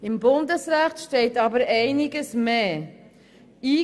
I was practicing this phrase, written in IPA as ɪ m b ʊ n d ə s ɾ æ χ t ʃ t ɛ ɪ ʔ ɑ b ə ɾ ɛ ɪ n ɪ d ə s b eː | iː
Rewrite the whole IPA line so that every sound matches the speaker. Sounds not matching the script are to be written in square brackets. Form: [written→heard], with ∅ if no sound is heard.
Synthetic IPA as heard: ɪ m b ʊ n d ə s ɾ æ χ t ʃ t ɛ ɪ [ʔ→t] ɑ b ə ɾ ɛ ɪ n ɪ [d→ɡ] ə s [b→m] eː | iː